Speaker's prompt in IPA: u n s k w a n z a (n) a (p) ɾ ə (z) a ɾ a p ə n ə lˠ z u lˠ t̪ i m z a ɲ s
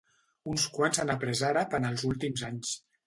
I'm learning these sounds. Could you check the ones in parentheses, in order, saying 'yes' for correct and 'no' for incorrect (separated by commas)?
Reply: yes, yes, yes